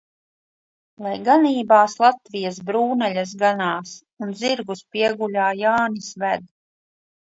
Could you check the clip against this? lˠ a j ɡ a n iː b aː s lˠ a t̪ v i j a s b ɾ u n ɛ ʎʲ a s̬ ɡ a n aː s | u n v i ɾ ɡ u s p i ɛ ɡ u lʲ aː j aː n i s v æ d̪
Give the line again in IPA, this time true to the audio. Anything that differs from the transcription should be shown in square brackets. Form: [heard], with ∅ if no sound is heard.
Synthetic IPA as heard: lˠ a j ɡ a n iː b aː s lˠ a t̪ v i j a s b ɾ [uː] n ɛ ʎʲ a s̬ ɡ a n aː s | u n [z] i ɾ ɡ u s p i ɛ ɡ u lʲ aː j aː n i s v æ d̪